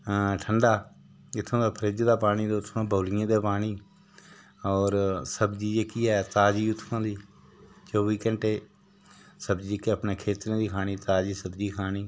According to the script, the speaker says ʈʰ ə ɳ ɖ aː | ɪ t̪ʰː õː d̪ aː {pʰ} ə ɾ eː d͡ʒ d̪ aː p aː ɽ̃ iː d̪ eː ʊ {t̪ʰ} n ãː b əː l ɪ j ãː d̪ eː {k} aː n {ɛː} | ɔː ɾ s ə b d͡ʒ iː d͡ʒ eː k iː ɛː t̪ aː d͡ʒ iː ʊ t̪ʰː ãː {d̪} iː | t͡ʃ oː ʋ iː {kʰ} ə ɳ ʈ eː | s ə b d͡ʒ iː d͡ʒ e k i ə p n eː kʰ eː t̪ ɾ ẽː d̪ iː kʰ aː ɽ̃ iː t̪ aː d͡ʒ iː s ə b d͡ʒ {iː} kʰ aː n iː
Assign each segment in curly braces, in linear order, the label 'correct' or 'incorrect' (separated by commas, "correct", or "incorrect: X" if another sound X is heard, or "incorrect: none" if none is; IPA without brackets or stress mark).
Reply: correct, correct, incorrect: p, incorrect: iː, correct, incorrect: k, correct